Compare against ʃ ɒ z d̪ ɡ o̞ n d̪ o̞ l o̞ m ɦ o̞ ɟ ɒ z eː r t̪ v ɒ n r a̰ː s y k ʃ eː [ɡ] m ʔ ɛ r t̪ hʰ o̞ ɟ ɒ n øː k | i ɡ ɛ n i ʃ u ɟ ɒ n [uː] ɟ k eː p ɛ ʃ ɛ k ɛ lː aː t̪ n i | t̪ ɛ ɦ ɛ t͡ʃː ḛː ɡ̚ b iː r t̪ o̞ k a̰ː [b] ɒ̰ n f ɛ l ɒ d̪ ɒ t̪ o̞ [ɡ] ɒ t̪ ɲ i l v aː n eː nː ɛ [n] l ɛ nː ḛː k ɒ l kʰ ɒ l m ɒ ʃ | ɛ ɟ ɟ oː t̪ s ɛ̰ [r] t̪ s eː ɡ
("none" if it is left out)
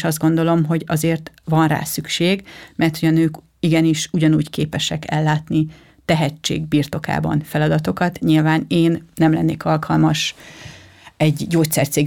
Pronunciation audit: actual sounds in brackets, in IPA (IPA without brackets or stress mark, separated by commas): ɡ, uː, b, k, m, r